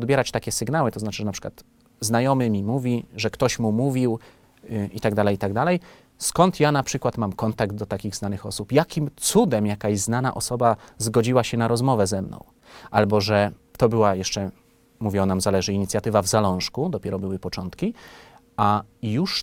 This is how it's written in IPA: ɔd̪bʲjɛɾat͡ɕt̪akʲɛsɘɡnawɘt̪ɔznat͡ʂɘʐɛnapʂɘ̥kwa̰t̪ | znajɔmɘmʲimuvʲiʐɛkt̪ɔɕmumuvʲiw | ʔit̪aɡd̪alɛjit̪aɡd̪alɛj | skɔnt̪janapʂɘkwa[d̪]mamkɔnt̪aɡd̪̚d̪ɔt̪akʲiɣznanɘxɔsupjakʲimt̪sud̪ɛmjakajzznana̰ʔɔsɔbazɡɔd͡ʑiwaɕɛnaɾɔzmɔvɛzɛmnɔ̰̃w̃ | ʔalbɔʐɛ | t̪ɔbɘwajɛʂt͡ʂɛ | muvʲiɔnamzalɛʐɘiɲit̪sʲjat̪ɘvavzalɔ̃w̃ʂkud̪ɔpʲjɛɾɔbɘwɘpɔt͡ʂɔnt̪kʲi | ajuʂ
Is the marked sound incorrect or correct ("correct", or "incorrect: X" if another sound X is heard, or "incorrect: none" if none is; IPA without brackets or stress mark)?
incorrect: t̪